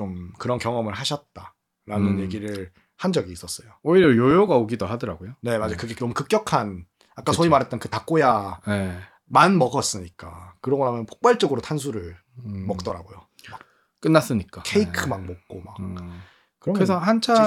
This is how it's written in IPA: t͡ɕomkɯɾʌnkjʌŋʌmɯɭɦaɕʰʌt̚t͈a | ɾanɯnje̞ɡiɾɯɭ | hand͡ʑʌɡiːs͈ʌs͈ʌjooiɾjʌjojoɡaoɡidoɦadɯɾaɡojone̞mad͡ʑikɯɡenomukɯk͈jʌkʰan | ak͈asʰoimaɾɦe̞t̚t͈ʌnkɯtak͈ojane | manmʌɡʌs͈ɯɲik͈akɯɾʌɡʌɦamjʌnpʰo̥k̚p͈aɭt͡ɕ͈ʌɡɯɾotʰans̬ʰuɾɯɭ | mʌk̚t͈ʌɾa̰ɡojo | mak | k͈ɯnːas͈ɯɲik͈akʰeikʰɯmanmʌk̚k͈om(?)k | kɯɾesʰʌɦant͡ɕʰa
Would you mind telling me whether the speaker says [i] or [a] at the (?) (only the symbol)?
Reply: a